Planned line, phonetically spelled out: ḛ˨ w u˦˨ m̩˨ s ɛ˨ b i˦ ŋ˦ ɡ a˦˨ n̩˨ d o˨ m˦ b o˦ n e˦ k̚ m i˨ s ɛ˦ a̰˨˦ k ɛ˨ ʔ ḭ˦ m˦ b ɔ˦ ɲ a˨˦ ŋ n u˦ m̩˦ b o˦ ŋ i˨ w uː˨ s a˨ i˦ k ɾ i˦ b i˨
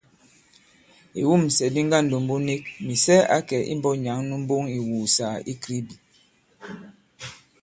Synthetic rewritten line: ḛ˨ w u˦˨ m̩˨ s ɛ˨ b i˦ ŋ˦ ɡ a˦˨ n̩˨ d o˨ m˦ b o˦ n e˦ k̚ m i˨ s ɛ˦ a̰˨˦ k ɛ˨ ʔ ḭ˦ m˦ b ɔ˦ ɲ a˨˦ ŋ n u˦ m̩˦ b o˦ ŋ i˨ w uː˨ s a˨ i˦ k ɾ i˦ b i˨